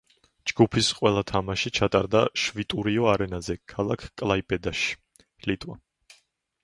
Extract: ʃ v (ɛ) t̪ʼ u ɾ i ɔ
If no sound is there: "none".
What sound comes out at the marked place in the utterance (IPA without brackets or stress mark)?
i